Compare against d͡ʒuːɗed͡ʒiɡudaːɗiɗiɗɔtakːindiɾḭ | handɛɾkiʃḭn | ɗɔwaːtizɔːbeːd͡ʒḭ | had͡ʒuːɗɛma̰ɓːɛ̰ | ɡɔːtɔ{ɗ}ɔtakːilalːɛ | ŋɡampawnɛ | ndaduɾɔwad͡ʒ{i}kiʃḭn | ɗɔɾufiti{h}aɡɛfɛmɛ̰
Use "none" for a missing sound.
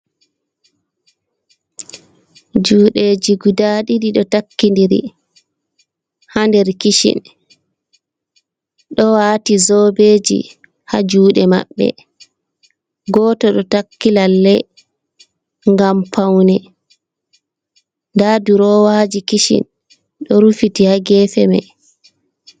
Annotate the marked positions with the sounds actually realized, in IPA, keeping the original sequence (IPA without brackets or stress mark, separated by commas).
ɗ, i, h